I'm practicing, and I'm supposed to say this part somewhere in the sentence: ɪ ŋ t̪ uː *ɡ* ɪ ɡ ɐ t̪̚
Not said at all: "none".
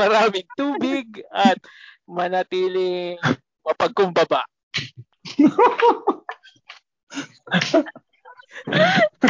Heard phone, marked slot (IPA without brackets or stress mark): b